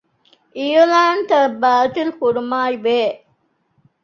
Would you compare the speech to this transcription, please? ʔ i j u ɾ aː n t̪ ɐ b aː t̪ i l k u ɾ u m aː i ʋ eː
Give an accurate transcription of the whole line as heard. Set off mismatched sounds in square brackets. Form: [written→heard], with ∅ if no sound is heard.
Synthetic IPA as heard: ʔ i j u [ɾ→l] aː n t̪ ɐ b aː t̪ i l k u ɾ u m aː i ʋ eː